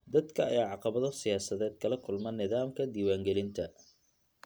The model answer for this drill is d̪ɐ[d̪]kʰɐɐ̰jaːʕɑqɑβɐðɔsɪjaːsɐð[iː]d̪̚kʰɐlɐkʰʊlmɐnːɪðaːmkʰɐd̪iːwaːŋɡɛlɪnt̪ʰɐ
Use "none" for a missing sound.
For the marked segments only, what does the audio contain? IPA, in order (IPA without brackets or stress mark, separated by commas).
d̪, ɛː